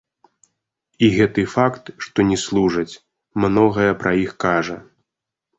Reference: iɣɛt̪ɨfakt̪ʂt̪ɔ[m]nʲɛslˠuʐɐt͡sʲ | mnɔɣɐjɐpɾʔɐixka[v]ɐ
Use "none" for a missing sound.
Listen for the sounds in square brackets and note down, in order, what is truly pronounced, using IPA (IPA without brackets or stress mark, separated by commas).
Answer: none, ʐ